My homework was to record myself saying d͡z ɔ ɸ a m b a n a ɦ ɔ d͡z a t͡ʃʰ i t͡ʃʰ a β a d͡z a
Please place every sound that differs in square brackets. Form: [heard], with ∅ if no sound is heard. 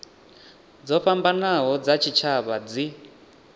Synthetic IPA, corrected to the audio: d͡z ɔ ɸ a m b a n a ɦ ɔ d͡z a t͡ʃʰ i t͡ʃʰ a β a d͡z [i]